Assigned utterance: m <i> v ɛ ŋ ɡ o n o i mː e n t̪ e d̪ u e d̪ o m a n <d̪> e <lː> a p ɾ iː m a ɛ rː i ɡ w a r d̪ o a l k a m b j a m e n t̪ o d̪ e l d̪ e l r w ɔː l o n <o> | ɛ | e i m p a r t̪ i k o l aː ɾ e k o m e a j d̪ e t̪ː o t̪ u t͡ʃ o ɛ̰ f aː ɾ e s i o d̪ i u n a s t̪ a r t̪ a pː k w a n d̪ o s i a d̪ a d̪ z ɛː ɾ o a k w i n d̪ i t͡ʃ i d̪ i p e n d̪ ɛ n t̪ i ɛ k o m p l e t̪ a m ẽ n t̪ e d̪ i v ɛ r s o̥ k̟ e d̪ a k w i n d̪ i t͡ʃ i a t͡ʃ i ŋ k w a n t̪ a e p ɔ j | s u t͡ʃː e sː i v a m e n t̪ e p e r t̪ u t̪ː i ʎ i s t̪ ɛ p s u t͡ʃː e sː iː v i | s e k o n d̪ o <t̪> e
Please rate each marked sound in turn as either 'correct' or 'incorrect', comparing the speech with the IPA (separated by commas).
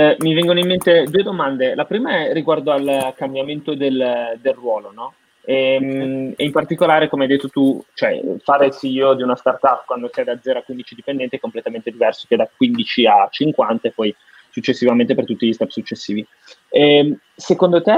correct, correct, incorrect, incorrect, correct